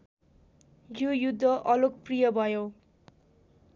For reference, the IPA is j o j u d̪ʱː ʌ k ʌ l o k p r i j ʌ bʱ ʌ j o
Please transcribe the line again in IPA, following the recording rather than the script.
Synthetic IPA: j o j u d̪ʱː ʌ ʔ ʌ l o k p r i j ʌ bʱ ʌ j o